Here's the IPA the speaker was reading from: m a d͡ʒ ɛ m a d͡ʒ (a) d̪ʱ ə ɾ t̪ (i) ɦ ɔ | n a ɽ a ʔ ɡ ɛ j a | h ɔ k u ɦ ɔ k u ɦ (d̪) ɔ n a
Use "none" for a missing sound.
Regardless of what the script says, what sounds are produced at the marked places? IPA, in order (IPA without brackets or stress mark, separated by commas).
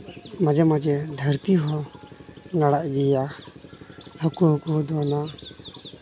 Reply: ɛ, i, d̪